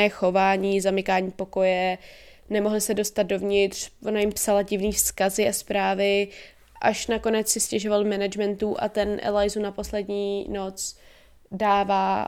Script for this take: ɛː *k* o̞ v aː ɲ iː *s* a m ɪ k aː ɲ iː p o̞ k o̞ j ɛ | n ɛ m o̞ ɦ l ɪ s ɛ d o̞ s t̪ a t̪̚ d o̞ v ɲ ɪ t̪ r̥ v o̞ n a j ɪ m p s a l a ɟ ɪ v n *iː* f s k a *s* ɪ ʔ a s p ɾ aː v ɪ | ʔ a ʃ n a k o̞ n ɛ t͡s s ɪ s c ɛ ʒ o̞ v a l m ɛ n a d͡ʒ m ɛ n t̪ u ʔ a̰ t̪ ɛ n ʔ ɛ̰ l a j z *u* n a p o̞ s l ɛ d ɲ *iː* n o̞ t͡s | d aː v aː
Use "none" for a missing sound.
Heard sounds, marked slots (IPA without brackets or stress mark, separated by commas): x, z, iː, z, u, iː